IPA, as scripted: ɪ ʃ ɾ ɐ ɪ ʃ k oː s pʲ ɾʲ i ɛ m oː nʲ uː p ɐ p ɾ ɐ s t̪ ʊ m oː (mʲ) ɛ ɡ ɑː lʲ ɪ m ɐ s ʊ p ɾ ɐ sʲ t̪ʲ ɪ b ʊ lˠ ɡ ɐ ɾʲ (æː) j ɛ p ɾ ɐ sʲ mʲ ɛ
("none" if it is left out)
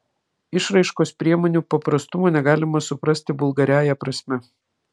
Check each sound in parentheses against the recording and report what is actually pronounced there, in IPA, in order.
nʲ, æː

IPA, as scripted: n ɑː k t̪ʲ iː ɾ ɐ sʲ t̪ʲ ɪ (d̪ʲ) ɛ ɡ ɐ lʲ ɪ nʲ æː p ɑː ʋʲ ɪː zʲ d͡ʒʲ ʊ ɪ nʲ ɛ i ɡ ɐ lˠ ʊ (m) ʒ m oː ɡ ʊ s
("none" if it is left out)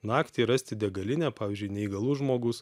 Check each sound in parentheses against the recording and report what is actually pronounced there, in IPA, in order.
d̪ʲ, none

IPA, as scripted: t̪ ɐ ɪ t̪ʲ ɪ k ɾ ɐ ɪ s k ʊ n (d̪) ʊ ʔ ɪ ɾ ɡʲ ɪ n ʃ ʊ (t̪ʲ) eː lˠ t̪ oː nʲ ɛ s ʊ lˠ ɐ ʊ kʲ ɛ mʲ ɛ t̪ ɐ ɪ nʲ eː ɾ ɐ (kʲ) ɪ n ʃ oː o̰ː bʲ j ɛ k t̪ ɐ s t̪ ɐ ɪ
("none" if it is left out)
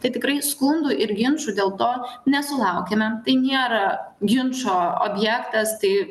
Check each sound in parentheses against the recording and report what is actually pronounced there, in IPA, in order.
d̪, d̪ʲ, ɡʲ

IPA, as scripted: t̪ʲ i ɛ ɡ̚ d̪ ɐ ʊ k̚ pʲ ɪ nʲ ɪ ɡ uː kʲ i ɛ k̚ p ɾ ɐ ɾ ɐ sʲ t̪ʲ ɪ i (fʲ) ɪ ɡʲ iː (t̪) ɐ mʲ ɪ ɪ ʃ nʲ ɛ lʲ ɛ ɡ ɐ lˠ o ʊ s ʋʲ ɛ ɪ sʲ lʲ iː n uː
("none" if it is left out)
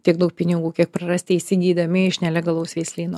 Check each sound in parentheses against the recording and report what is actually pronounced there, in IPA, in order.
sʲ, d̪

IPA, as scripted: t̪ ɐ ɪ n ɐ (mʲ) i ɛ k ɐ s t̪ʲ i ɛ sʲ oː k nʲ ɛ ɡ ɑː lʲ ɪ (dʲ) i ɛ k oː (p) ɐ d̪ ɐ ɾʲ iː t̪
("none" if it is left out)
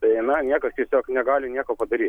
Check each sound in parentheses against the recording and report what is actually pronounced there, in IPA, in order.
nʲ, nʲ, p

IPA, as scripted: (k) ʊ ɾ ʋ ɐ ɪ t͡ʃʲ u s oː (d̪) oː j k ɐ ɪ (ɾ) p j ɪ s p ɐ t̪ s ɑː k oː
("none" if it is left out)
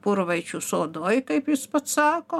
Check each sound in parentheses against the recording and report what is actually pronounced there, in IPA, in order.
p, d̪, none

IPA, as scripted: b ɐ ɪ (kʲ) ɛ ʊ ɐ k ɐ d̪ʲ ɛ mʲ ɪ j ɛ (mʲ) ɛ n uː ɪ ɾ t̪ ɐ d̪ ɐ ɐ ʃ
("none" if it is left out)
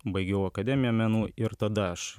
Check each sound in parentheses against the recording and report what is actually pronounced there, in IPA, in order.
ɡʲ, mʲ

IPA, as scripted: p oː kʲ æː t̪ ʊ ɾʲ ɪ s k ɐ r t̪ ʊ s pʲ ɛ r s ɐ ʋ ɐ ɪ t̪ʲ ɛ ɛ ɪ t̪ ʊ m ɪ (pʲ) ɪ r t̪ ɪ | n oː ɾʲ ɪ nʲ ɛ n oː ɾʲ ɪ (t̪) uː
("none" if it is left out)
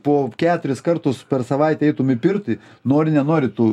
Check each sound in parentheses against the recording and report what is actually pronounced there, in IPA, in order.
pʲ, t̪

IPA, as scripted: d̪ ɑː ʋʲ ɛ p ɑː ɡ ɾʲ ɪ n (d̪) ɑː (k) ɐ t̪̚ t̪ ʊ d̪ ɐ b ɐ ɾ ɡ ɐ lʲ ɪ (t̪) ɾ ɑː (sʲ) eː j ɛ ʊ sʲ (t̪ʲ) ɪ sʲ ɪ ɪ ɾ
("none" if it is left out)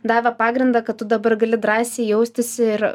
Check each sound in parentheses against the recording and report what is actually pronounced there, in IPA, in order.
d̪, k, d̪, sʲ, t̪ʲ

